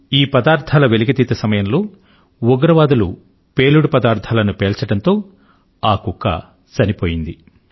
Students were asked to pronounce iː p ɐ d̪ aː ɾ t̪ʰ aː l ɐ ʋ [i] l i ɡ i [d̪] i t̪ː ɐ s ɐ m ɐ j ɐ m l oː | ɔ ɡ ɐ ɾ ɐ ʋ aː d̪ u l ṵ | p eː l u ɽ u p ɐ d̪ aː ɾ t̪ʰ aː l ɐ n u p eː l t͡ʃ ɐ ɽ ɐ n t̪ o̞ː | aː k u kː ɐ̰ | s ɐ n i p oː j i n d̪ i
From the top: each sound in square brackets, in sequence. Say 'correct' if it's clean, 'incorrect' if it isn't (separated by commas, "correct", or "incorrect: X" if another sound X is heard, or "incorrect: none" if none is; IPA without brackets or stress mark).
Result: incorrect: e, incorrect: t̪